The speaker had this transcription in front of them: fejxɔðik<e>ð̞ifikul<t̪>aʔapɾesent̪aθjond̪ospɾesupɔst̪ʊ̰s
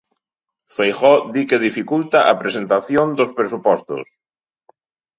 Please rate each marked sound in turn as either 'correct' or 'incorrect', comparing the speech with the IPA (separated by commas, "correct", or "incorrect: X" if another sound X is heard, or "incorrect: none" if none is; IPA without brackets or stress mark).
correct, correct